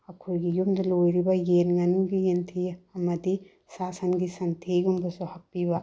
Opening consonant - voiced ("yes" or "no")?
no